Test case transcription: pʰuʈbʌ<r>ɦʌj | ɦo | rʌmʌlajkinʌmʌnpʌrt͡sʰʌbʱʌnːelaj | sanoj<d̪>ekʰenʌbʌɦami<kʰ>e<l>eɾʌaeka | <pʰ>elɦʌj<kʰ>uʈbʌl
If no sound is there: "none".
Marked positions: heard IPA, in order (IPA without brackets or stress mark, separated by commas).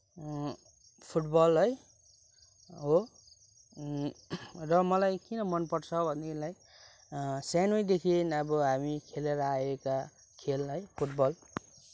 l, d̪, kʰ, l, kʰ, pʰ